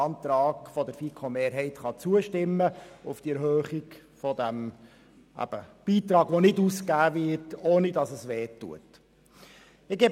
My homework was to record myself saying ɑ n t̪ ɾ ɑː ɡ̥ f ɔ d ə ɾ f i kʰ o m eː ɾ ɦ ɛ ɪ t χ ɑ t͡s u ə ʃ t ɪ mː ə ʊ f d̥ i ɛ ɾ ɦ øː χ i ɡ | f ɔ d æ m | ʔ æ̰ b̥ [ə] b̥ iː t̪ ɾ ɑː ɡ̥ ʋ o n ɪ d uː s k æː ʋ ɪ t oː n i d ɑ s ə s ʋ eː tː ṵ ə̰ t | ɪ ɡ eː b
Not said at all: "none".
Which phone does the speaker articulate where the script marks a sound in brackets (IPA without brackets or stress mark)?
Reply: ə